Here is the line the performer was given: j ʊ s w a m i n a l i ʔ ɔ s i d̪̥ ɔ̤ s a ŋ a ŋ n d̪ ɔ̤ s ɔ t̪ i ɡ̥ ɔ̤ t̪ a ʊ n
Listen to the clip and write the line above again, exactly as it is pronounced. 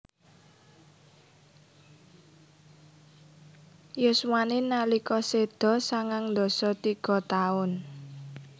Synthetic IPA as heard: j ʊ s w a n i n a l i k ɔ s e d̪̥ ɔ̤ s a ŋ a ŋ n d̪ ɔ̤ s ɔ t̪ i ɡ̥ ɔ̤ t̪ a ʊ n